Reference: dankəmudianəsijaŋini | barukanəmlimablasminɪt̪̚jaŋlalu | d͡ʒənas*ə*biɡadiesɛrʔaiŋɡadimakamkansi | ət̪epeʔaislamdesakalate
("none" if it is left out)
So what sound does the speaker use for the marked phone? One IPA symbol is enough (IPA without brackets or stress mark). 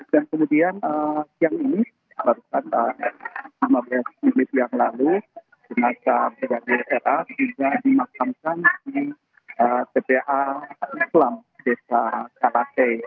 a